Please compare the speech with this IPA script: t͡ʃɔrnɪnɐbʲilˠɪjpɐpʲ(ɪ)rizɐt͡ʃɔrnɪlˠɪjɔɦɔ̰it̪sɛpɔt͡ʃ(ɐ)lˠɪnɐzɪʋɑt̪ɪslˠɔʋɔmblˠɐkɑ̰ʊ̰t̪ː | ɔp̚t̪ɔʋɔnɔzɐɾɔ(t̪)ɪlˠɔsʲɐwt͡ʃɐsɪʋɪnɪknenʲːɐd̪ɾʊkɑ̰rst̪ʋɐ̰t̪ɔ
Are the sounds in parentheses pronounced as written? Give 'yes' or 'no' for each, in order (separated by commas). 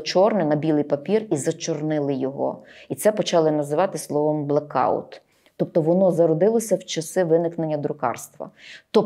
no, no, no